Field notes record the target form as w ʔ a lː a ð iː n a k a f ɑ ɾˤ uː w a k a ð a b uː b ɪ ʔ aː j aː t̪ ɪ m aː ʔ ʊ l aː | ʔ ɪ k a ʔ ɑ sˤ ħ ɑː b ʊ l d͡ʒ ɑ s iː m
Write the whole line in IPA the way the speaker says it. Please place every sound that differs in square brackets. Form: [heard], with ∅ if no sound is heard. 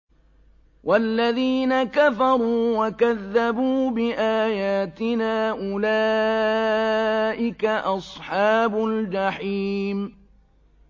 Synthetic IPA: w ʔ a lː a ð iː n a k a f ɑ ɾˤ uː w a k a [ðː] a b uː b ɪ ʔ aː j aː t̪ ɪ [n] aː ʔ ʊ l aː | ʔ ɪ k a ʔ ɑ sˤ ħ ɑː b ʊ l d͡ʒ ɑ [ħ] iː m